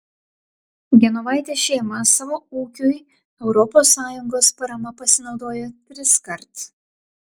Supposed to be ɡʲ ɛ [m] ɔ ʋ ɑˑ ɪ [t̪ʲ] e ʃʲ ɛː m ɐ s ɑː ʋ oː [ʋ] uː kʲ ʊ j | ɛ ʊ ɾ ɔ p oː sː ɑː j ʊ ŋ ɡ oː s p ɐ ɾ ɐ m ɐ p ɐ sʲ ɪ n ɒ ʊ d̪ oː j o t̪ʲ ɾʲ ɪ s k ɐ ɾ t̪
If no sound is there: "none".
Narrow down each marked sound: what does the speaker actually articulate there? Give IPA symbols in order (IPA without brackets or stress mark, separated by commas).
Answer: n, t̪ʲ, none